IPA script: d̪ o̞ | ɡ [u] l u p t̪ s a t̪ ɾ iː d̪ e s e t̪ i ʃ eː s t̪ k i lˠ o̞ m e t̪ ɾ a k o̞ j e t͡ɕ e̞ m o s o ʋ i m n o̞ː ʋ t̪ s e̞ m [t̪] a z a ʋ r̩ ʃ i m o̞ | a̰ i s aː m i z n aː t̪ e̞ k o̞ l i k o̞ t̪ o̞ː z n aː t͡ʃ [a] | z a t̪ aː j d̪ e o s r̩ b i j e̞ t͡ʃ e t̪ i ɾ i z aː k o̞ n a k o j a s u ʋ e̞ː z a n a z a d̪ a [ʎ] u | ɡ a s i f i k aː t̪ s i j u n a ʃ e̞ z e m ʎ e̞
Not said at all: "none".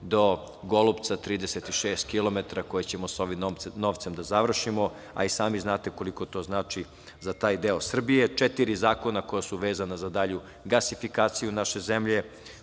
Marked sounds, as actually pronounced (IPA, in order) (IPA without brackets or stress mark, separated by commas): o, d̪, i, ʎ